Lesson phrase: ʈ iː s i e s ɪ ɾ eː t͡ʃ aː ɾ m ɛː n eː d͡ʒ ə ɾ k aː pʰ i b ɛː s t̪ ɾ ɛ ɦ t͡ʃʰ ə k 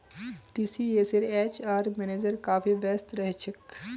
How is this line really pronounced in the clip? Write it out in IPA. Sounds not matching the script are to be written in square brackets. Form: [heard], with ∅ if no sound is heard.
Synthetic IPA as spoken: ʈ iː s i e s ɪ ɾ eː t͡ʃ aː ɾ m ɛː n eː d͡ʒ ə ɾ k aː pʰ i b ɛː s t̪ ɾ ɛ ɦ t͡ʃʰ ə k